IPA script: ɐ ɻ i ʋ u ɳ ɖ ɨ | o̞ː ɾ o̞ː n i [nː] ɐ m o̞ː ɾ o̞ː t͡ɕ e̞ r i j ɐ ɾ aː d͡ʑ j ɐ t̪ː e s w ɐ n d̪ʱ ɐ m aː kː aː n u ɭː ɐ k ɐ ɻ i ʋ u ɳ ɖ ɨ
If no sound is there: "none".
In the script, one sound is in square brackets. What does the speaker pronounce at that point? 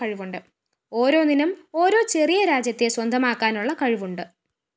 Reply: n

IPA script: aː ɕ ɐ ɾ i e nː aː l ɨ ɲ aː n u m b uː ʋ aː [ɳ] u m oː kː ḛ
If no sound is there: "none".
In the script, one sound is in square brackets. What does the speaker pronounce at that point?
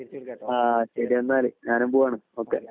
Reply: ɳ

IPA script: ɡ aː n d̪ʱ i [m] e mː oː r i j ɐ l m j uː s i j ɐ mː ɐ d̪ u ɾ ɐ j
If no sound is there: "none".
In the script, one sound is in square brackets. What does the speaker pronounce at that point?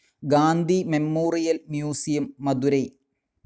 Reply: m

